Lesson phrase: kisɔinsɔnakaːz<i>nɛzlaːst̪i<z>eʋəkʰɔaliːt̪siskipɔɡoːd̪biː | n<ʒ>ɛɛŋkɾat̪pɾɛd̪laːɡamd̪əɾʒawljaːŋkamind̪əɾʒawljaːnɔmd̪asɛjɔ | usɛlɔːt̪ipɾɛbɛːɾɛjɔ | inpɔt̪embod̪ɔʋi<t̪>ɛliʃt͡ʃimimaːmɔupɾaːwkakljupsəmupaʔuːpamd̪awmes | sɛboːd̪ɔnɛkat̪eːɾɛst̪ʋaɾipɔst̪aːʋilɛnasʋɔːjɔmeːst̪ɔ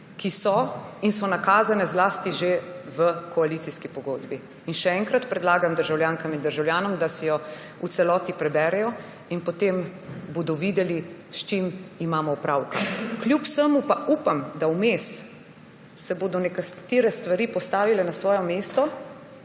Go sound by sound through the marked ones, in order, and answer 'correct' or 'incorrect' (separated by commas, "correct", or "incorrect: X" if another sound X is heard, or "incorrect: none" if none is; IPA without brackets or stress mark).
incorrect: a, incorrect: ʒ, incorrect: ʃ, incorrect: d̪